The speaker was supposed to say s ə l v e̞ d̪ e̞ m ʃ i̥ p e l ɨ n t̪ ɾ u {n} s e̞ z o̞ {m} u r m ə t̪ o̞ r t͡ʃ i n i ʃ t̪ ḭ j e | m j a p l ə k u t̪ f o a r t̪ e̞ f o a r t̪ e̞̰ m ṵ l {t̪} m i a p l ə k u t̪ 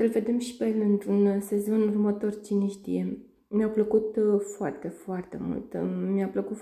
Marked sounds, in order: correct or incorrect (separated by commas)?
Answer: correct, incorrect, correct